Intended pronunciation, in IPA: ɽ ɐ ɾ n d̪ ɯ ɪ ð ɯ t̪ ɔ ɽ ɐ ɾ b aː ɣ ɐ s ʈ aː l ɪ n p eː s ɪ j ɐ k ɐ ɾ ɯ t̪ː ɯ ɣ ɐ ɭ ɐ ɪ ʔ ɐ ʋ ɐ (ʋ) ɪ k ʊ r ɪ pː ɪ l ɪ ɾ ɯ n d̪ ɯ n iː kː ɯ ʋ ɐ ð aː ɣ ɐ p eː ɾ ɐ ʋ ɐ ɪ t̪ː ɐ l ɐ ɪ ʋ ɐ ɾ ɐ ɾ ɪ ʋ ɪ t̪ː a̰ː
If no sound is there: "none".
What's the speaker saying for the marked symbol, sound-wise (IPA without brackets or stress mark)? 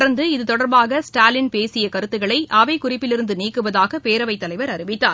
none